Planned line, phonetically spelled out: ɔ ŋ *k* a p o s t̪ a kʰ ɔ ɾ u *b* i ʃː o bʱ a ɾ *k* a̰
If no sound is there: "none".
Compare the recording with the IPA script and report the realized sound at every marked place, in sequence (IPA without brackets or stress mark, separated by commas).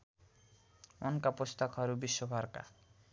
k, b, k